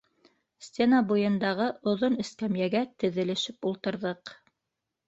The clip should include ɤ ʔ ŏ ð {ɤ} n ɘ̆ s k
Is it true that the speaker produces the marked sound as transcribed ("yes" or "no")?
no